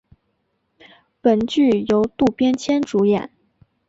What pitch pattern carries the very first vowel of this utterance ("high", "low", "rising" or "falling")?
low